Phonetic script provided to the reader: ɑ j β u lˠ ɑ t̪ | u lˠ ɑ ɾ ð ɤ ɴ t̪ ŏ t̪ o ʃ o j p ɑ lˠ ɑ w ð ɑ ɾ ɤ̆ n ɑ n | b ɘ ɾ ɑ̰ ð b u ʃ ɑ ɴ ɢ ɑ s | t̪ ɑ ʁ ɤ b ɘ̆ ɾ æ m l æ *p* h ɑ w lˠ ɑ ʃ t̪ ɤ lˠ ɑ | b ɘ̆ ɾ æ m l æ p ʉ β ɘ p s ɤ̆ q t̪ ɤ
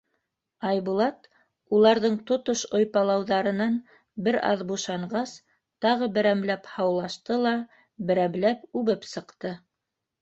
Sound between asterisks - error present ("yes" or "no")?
no